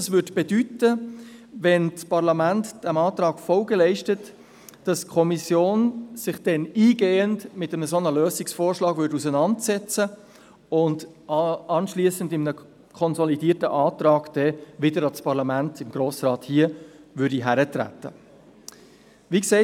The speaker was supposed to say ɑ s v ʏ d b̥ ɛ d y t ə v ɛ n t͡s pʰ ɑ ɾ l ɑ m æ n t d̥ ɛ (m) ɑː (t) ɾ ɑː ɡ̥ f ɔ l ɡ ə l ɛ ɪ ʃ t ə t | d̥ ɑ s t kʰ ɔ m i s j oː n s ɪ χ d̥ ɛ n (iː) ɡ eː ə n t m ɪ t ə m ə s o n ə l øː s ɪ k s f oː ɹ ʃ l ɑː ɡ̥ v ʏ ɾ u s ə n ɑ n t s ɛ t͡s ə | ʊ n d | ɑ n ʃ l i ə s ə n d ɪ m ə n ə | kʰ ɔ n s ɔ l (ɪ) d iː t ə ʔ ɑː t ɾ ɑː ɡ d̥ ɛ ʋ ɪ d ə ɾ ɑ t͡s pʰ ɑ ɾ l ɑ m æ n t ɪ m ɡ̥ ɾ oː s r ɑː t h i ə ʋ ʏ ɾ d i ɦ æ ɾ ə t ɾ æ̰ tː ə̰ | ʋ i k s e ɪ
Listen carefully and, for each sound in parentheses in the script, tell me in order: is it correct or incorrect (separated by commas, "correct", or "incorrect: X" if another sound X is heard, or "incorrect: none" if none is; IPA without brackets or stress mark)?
correct, correct, correct, incorrect: i